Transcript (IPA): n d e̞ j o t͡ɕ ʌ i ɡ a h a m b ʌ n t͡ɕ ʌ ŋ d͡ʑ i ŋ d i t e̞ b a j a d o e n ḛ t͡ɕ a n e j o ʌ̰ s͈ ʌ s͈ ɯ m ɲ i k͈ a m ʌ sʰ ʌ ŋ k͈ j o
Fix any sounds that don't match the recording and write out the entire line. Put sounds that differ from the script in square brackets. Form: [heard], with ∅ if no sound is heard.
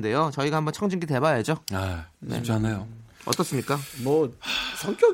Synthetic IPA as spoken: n d e̞ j o t͡ɕ ʌ i ɡ a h a m b ʌ n [t͡ɕʰ] ʌ ŋ d͡ʑ i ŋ [ɡ] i t e̞ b a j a [d͡ʑ] o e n ḛ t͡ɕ a n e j o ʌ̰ [t͈] ʌ s͈ ɯ m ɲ i k͈ a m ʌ sʰ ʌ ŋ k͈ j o